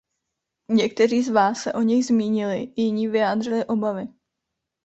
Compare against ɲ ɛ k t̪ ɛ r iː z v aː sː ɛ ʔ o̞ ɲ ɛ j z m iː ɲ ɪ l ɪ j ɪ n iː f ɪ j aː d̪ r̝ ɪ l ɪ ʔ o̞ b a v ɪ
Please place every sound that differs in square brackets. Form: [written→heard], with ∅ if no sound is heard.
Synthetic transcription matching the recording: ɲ ɛ k t̪ ɛ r iː z v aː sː ɛ ʔ o̞ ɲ ɛ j z m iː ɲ ɪ l ɪ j ɪ [n→ɲ] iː [f→v] ɪ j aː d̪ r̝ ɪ l ɪ ʔ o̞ b a v ɪ